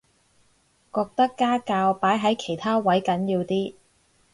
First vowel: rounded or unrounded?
rounded